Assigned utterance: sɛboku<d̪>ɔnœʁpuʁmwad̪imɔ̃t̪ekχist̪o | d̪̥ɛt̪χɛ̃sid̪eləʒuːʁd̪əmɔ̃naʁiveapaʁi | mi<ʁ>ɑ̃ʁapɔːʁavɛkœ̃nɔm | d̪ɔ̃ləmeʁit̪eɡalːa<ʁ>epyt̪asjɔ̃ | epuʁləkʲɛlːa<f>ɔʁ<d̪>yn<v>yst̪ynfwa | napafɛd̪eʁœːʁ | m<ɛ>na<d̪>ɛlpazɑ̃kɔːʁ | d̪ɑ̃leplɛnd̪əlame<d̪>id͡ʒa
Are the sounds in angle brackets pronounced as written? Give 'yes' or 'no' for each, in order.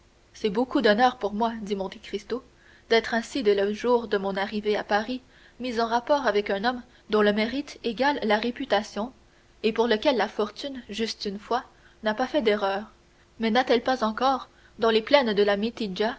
yes, no, yes, yes, no, no, yes, no, no

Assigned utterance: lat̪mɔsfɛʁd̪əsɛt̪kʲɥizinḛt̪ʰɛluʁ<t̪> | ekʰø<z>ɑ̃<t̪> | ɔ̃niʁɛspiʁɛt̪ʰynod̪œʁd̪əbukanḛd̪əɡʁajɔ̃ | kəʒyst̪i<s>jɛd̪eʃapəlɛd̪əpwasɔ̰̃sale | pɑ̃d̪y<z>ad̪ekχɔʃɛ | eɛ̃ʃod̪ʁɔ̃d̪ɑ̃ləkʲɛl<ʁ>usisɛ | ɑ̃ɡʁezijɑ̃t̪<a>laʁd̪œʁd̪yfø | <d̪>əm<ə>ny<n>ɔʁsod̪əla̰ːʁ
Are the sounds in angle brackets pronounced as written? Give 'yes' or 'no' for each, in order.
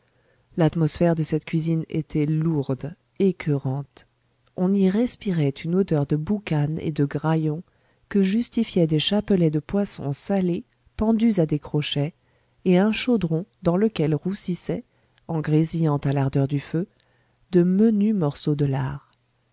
no, no, yes, no, yes, yes, yes, yes, yes, no

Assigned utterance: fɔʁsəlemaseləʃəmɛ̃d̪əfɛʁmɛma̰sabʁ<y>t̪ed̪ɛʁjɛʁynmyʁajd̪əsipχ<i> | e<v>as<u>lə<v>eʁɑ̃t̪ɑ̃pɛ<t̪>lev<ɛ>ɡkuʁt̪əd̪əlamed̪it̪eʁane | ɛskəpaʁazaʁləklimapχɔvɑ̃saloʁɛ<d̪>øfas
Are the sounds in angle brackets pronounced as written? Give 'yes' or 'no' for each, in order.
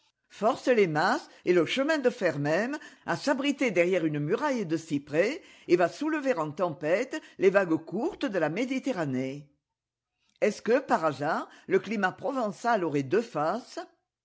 no, no, yes, yes, yes, yes, no, yes

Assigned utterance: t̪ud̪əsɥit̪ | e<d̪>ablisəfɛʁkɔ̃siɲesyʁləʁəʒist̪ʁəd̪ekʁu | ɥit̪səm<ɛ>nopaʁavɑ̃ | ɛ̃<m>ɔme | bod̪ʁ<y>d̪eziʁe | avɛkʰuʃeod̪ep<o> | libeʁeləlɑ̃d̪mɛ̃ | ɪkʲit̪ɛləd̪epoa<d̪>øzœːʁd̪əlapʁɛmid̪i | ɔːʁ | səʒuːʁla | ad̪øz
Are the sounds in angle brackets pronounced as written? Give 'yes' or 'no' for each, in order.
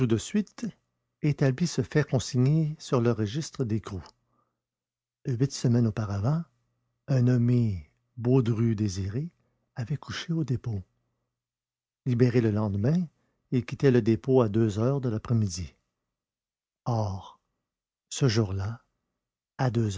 no, yes, no, yes, yes, yes

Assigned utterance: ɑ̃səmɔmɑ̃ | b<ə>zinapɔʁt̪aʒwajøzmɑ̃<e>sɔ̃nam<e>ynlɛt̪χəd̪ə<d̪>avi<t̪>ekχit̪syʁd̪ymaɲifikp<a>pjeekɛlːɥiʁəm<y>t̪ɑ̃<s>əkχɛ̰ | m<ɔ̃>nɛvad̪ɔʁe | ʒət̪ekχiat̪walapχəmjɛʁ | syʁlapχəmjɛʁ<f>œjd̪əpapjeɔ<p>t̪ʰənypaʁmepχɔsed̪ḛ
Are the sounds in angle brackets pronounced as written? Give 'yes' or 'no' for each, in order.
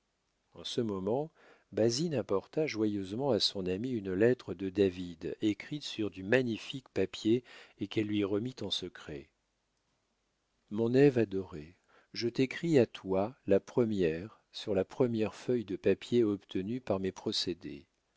no, no, no, yes, no, yes, no, yes, yes, yes, yes

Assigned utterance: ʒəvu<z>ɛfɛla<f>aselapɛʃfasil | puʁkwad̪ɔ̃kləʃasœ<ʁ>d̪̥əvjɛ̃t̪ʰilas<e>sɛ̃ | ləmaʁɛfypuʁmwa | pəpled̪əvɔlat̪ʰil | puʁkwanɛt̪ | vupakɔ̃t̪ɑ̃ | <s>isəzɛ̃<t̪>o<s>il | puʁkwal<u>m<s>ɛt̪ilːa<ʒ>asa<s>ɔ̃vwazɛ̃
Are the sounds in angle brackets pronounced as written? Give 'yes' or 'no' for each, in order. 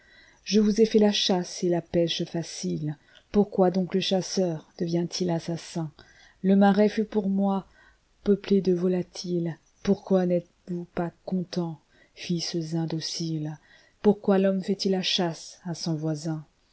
yes, no, yes, no, no, no, yes, no, no, no, yes

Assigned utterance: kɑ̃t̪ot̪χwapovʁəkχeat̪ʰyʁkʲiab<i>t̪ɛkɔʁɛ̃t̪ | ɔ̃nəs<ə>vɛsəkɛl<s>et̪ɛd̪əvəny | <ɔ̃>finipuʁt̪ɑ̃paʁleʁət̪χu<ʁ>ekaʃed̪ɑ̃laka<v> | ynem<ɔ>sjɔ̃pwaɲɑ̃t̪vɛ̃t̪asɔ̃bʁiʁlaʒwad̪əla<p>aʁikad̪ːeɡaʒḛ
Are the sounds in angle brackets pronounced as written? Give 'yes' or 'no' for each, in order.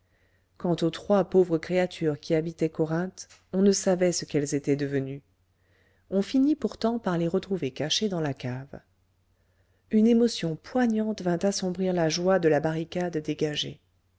yes, no, no, yes, no, yes, yes, no

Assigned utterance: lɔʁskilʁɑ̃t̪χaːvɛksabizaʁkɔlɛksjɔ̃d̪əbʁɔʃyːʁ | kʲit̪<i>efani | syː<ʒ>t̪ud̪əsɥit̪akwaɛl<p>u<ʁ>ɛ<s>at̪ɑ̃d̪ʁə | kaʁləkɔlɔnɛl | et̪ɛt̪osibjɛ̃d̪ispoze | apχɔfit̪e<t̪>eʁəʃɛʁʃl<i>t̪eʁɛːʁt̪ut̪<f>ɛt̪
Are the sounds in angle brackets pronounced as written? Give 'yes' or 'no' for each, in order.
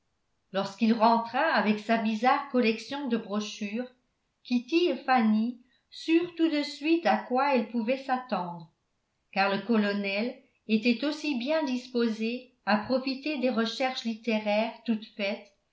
yes, no, yes, no, yes, no, yes, yes

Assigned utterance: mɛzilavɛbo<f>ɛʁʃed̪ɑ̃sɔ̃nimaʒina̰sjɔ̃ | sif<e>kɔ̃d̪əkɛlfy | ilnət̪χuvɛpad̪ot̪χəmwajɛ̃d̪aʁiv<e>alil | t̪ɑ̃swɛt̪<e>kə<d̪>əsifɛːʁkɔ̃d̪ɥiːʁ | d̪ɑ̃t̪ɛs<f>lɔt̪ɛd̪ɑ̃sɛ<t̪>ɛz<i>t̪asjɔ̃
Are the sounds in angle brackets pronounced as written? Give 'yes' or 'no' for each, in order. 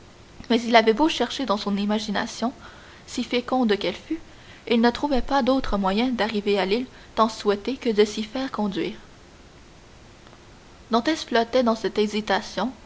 no, yes, yes, yes, yes, yes, yes, yes

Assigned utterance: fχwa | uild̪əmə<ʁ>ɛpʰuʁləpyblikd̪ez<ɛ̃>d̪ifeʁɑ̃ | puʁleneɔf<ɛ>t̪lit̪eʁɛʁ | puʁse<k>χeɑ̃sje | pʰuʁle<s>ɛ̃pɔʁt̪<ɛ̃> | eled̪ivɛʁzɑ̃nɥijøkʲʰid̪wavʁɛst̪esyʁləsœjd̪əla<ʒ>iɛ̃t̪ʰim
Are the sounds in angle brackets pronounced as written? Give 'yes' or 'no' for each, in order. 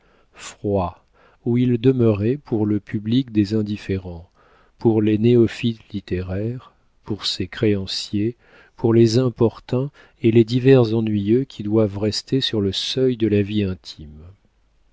yes, yes, no, yes, no, yes, no

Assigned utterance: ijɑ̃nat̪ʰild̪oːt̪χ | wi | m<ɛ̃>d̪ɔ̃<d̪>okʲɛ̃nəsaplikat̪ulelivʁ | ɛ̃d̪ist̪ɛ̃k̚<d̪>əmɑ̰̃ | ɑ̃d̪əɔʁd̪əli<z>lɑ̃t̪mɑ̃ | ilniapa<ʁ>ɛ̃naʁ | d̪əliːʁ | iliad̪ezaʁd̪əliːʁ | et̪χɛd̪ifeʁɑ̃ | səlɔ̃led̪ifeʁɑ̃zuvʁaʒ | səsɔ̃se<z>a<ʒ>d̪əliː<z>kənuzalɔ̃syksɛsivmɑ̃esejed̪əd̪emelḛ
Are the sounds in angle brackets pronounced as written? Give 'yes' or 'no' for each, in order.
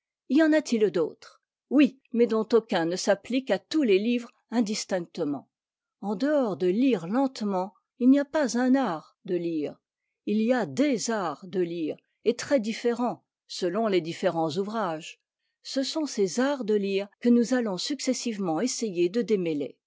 no, no, no, no, no, yes, no, no

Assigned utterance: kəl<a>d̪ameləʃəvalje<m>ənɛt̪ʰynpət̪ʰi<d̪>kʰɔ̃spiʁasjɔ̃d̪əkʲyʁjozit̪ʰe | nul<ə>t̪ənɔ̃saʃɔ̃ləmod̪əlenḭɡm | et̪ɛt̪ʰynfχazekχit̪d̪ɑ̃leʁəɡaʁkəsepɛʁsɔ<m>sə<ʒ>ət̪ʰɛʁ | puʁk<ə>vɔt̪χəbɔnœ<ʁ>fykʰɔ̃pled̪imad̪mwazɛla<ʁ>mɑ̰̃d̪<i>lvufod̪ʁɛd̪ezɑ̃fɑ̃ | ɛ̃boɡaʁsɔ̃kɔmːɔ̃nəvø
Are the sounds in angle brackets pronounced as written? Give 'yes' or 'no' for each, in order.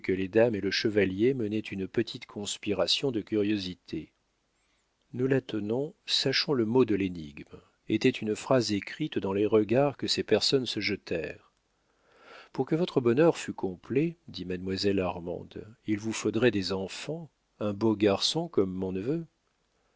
no, yes, no, no, no, yes, yes, yes, yes, yes

